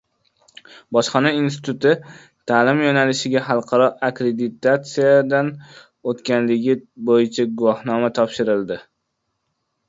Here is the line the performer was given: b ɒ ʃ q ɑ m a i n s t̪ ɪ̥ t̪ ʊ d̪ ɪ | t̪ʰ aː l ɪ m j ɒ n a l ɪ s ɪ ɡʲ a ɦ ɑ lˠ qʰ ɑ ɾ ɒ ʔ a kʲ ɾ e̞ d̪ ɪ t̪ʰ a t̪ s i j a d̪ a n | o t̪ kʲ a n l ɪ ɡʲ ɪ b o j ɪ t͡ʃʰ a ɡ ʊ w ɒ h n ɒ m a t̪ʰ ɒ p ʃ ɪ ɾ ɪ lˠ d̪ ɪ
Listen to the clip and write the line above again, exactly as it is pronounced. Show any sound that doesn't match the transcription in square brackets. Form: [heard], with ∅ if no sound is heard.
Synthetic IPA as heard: b ɒ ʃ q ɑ [n] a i n s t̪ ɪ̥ t̪ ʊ [t̪] ɪ | t̪ʰ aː l ɪ m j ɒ n a l ɪ [ʃ] ɪ ɡʲ a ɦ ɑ lˠ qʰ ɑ ɾ ɒ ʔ a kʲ ɾ e̞ d̪ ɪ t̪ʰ a t̪ s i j a d̪ a n | o t̪ kʲ a n l ɪ ɡʲ ɪ b o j ɪ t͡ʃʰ a ɡ ʊ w ɒ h n ɒ m a t̪ʰ ɒ p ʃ ɪ ɾ ɪ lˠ d̪ ɪ